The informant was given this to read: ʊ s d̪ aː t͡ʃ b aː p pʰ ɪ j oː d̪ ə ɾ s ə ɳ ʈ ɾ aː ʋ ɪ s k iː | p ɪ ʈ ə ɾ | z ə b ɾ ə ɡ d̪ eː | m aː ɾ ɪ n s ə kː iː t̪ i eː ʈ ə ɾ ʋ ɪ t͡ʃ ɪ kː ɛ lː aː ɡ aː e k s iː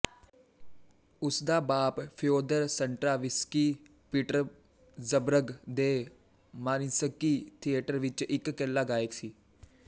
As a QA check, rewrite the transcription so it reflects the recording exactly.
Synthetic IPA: ʊ s d̪ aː b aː p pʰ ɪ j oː d̪ ə ɾ s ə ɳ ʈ ɾ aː ʋ ɪ s k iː | p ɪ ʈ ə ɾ | z ə b ɾ ə ɡ d̪ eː | m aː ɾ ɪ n s ə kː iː t̪ʰ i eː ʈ ə ɾ ʋ ɪ t͡ʃ ɪ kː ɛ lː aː ɡ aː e k s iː